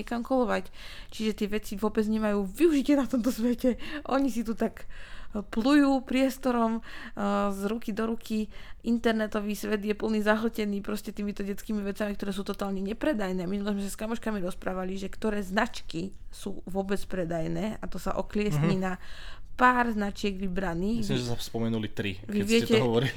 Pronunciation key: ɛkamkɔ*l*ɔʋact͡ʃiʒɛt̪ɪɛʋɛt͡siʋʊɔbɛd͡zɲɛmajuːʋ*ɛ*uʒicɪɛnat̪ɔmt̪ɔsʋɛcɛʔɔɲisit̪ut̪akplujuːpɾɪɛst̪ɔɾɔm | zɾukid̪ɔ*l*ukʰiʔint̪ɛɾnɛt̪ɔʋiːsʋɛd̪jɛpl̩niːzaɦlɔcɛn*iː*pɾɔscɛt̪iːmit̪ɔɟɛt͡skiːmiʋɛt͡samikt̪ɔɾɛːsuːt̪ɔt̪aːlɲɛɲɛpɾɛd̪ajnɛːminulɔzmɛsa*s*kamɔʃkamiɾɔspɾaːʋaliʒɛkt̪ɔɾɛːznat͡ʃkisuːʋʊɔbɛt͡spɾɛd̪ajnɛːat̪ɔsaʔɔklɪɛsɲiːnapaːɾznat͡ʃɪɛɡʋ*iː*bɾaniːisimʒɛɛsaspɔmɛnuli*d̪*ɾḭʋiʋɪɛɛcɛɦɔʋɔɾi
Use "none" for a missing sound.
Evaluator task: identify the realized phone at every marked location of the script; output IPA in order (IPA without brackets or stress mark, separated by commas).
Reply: l, i, ɾ, iː, s, i, t̪